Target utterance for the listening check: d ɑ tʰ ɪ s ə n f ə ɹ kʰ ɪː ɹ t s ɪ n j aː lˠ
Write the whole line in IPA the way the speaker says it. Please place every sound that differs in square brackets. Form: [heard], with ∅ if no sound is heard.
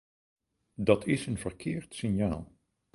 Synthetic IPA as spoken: d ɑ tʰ ɪ s ə n [v] ə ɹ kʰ ɪː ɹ t s ɪ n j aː lˠ